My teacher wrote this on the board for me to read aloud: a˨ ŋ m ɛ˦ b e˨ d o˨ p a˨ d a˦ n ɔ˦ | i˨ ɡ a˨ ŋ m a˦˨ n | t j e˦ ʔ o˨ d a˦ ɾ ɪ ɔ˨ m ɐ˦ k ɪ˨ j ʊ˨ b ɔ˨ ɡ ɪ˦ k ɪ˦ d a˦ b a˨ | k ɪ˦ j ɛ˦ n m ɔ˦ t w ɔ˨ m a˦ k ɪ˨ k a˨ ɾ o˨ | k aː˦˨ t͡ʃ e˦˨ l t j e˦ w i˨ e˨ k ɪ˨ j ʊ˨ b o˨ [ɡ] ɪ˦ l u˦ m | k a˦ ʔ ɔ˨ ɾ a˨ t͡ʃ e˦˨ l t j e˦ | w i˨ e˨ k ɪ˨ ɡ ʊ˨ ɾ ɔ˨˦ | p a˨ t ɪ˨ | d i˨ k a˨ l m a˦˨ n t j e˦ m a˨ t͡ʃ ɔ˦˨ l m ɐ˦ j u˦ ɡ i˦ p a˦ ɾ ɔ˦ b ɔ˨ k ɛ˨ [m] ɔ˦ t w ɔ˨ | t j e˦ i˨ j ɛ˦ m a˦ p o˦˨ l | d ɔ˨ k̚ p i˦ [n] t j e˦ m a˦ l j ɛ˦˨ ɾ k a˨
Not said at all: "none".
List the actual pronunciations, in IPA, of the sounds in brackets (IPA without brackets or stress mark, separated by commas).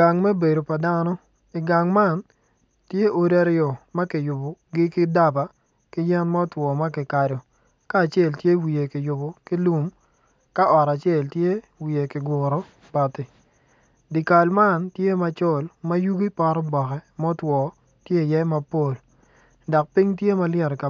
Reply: k, m, ŋ